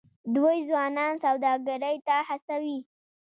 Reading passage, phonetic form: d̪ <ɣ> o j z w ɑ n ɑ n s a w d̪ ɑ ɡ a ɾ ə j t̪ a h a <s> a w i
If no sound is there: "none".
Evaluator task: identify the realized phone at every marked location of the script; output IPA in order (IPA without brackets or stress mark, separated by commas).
w, s